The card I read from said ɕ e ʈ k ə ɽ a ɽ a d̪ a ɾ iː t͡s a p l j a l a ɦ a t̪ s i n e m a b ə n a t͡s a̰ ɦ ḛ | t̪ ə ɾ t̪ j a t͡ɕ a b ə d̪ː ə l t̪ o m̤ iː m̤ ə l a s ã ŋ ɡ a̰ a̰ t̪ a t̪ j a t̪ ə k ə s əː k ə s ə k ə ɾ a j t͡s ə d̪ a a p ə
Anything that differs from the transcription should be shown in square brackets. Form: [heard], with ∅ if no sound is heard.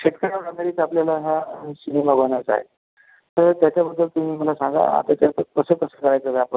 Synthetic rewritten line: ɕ e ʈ k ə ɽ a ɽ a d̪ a ɾ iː t͡s a p l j a l a ɦ a [∅] s i n e m a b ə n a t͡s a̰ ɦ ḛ | t̪ ə ɾ t̪ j a t͡ɕ a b ə d̪ː ə l t̪ [u] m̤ iː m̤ ə l a s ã ŋ ɡ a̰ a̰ t̪ a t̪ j a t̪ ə k ə s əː k ə s ə k ə ɾ a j t͡s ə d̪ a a p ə